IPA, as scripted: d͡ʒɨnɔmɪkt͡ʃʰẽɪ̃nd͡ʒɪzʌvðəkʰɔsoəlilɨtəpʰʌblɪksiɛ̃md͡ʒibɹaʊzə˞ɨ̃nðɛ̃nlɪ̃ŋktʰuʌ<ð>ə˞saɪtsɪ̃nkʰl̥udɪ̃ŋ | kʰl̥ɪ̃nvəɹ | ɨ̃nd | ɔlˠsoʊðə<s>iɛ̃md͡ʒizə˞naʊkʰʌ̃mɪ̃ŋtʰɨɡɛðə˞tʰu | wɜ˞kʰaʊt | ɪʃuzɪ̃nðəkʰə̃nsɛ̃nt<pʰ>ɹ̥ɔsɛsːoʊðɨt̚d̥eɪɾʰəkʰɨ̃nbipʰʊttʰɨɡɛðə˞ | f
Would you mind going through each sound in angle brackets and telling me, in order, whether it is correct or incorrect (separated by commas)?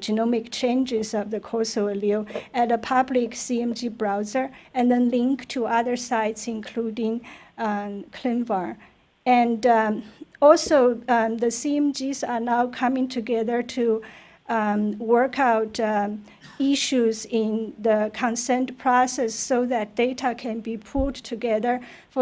correct, correct, correct